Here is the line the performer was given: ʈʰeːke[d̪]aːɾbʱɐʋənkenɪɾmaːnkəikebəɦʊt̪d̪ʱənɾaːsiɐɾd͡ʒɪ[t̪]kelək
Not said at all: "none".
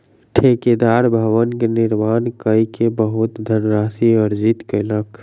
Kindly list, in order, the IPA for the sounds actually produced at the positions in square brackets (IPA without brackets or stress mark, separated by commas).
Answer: d̪, t̪